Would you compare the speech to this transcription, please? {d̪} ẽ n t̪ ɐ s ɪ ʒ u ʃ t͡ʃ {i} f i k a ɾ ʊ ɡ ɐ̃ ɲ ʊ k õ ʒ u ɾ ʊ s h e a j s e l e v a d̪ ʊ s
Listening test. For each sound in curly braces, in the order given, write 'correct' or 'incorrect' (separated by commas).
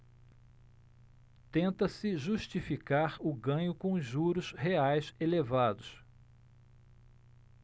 incorrect, correct